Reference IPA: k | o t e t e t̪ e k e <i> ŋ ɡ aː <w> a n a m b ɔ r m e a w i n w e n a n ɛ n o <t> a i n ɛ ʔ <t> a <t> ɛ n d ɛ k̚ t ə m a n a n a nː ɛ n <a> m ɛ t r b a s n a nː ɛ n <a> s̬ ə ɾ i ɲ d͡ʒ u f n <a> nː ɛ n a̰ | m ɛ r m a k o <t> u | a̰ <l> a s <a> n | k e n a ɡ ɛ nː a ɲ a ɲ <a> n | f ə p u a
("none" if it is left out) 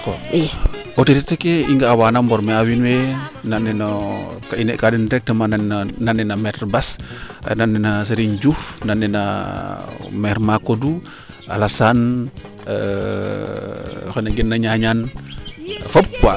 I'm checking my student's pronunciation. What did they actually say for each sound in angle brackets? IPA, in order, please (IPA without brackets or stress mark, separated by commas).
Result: i, w, k, k, d, a, a, a, d, l, a, a